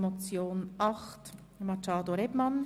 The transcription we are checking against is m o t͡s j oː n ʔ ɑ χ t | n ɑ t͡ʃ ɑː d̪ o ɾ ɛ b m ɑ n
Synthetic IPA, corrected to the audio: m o t͡s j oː n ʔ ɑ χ t | m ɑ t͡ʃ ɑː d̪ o ɾ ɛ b m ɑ n